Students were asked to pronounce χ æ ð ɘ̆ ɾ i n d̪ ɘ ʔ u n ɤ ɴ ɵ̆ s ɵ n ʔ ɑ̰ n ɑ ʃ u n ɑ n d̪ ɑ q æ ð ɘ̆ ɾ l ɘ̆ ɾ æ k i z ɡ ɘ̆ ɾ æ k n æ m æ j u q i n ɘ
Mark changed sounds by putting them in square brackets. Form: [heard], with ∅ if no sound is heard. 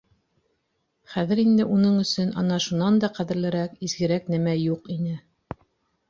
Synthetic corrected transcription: χ æ ð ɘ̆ ɾ i n d̪ ɘ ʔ u n ɤ ɴ ɵ̆ s ɵ n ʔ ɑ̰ n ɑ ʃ u n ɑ n d̪ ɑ q æ ð ɘ̆ ɾ l ɘ̆ ɾ æ k i z ɡ ɘ̆ ɾ æ k n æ m æ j u q i n ɘ